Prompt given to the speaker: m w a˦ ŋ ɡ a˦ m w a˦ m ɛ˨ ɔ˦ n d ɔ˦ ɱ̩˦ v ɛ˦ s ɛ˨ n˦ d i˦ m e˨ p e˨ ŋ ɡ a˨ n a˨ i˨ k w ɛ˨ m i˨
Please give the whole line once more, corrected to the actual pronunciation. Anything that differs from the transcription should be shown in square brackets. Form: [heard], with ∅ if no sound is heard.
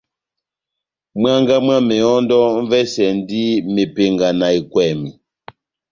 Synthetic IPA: m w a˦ ŋ ɡ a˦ m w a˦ m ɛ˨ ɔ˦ n d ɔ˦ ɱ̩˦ v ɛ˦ s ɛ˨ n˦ d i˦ m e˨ p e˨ ŋ ɡ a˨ n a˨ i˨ k w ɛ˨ m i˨